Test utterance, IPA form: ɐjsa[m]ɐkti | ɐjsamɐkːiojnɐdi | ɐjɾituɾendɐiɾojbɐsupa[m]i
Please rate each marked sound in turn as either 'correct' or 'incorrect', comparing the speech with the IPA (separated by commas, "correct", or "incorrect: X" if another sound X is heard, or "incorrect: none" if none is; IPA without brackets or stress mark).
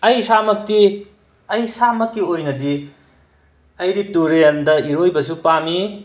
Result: correct, correct